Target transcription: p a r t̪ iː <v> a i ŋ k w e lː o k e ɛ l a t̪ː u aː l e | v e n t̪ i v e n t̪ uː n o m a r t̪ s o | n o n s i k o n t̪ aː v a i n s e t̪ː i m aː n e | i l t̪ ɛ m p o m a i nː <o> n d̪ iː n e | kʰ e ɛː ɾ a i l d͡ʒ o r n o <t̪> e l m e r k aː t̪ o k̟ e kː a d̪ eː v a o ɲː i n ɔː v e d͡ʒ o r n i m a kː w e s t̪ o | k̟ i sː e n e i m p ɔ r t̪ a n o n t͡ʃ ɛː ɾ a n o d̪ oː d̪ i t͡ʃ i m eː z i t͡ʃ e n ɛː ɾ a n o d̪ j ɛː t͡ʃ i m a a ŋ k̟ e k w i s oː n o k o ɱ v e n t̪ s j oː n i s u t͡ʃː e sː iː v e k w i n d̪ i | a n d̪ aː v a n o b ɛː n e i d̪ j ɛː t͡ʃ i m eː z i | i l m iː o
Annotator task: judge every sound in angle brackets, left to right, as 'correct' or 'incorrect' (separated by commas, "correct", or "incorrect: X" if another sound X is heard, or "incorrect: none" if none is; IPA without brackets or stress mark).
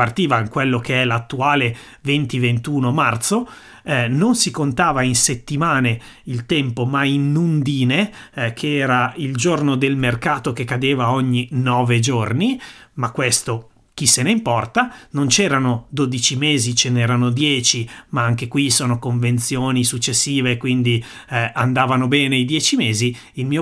correct, incorrect: u, incorrect: d̪